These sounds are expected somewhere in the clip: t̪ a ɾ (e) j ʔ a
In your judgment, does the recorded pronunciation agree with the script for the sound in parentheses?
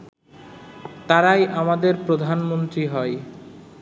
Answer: no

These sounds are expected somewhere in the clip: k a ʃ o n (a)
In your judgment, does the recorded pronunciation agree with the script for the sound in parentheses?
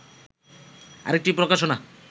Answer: yes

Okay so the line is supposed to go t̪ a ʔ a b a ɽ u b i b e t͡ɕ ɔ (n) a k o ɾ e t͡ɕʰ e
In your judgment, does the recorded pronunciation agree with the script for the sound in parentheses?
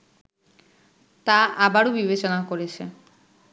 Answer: yes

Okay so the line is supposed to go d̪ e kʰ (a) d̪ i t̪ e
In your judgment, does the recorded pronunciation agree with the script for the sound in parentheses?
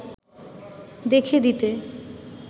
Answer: no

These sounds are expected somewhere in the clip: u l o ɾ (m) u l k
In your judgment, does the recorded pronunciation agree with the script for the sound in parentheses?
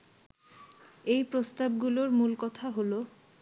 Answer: yes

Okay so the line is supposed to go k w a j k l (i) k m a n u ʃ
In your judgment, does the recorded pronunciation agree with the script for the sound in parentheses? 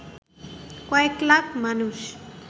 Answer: no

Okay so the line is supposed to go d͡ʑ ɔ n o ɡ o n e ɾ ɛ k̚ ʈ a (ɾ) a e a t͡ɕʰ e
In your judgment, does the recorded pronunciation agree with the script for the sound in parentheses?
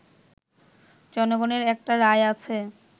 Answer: yes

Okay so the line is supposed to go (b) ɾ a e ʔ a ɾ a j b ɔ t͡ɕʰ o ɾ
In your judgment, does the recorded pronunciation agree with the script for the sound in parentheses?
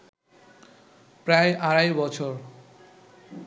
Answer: no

